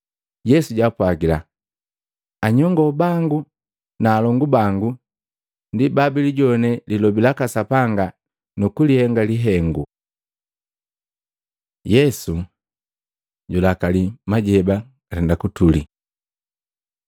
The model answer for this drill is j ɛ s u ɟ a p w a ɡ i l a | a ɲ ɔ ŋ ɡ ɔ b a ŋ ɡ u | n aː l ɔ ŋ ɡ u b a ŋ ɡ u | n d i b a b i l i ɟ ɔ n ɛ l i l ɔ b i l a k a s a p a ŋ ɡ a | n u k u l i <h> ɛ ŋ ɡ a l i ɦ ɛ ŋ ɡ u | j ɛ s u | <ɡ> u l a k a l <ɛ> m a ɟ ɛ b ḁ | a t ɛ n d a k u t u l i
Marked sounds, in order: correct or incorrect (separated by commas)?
correct, incorrect, incorrect